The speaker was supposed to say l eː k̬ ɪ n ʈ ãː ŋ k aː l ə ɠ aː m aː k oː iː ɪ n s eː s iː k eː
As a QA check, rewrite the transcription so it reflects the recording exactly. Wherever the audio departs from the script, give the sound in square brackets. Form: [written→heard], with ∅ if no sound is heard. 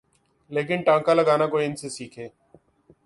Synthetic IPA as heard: l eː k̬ ɪ n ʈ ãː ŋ k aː l ə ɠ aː [m→n] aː k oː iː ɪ n s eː s iː [k→kʰ] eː